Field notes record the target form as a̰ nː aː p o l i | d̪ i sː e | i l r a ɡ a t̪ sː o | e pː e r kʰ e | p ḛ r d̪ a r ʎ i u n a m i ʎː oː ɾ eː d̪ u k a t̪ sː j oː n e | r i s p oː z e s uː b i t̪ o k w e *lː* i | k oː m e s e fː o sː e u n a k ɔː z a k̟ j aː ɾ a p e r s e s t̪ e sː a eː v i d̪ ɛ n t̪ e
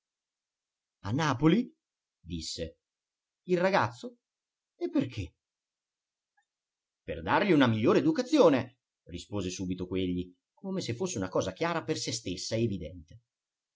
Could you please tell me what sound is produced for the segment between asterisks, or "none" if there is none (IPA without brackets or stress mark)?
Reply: ʎː